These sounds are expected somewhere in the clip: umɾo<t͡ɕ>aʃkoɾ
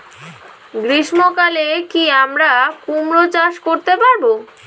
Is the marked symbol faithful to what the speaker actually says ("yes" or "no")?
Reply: yes